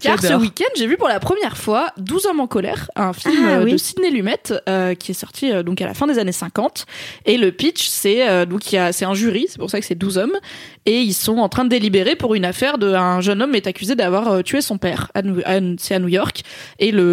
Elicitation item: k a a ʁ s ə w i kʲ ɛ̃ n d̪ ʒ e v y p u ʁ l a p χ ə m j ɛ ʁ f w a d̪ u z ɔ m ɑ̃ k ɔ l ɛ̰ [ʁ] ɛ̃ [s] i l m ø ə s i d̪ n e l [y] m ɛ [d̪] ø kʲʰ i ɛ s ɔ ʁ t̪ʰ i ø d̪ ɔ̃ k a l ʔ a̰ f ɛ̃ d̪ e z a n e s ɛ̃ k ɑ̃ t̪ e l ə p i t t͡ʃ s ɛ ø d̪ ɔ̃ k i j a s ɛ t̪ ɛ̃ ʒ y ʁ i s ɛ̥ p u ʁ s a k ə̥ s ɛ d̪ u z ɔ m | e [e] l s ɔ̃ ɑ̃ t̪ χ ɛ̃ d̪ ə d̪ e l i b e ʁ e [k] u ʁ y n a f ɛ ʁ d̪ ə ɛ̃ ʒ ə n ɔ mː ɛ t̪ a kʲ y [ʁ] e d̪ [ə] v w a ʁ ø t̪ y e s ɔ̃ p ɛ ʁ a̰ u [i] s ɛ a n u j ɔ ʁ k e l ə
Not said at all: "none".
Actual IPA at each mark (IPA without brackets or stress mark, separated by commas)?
ʁ, f, y, t̪, i, p, z, a, a